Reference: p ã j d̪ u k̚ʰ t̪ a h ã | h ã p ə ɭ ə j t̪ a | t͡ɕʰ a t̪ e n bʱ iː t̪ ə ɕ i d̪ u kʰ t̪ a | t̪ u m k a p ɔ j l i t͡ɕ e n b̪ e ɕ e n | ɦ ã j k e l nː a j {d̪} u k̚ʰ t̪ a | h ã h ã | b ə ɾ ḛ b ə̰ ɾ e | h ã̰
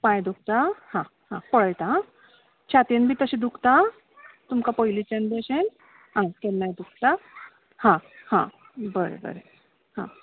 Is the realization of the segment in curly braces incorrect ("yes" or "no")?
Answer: no